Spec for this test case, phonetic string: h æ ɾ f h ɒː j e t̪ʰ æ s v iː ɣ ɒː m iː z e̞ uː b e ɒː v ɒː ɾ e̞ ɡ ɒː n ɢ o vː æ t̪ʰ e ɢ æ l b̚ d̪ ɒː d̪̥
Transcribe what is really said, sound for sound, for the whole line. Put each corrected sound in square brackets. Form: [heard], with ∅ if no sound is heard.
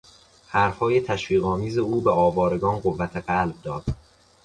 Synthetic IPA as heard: h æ ɾ f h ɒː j e t̪ʰ æ [ʃ] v iː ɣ ɒː m iː z e̞ uː b e ɒː v ɒː ɾ e̞ ɡ ɒː n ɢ o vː æ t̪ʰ e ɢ æ l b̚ d̪ ɒː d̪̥